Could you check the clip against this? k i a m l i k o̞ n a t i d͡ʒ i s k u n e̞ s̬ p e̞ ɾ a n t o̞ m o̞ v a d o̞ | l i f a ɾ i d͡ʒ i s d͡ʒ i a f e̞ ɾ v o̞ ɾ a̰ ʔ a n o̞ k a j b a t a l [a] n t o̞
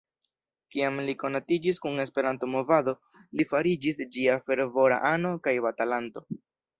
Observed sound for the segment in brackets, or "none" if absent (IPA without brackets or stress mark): a